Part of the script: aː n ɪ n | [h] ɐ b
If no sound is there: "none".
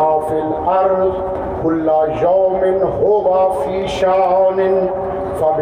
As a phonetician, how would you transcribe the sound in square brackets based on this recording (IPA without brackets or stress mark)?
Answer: f